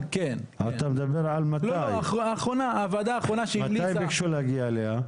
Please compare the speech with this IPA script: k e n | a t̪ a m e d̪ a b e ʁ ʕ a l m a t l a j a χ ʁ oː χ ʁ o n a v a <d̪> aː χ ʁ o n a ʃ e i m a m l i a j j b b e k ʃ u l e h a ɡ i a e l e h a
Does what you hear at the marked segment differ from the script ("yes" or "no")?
no